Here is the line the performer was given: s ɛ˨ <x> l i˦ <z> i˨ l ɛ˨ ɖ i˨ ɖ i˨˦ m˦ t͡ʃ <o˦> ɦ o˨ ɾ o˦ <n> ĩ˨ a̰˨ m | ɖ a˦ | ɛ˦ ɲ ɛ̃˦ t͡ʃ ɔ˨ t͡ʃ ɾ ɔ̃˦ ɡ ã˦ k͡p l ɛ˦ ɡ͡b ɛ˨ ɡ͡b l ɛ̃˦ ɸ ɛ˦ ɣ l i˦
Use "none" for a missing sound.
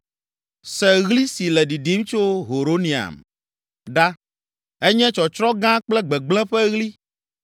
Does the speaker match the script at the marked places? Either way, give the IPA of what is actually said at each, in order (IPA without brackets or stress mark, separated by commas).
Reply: ɣ, s, o˦, n